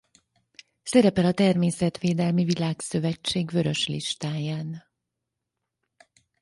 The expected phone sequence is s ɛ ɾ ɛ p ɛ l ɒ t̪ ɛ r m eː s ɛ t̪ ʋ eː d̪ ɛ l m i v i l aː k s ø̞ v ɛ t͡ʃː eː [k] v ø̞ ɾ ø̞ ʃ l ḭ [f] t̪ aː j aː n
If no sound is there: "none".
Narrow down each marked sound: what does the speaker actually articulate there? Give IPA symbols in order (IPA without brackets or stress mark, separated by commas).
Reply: ɡ, ʃ